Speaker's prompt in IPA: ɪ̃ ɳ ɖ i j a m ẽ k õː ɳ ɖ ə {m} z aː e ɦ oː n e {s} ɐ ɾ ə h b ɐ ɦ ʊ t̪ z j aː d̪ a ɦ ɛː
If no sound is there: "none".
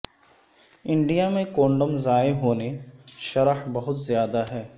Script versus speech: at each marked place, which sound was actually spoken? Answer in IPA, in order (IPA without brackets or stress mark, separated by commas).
m, ʃ